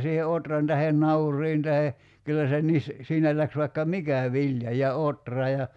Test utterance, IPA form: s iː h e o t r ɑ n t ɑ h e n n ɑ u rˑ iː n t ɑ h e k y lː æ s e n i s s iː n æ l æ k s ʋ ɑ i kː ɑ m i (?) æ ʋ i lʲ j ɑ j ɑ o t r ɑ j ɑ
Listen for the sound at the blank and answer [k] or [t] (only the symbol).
k